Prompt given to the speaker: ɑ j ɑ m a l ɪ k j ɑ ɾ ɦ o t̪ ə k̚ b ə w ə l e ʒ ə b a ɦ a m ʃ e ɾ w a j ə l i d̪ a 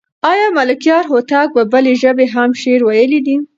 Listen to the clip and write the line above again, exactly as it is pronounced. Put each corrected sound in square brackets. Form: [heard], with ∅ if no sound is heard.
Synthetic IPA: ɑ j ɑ m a l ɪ k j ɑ ɾ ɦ o t̪ [ɑ] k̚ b ə [b] ə l e ʒ ə b [e] ɦ a m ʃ e ɾ w a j ə l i d̪ [i]